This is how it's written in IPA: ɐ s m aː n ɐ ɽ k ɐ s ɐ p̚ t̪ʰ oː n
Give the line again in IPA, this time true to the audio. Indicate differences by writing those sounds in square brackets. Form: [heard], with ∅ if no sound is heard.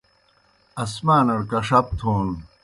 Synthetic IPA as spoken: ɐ s m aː n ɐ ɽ k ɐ [ʂ] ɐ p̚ t̪ʰ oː n